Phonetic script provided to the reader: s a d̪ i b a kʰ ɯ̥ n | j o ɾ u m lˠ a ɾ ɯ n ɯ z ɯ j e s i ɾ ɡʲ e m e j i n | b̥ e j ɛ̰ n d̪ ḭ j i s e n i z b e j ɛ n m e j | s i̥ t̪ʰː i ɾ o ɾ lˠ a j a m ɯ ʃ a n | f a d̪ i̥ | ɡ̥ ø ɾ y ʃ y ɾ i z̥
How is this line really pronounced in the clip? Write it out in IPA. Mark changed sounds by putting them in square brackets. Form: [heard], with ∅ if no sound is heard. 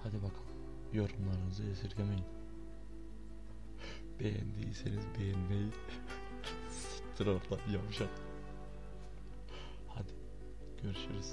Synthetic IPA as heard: [h] a d̪ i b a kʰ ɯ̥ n | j o ɾ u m lˠ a ɾ ɯ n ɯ z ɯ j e s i ɾ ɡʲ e m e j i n | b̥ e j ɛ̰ n d̪ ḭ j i s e n i z b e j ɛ n m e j | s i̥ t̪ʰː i ɾ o ɾ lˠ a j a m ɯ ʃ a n | [h] a d̪ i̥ | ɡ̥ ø ɾ y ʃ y ɾ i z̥